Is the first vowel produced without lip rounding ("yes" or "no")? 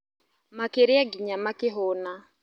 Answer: yes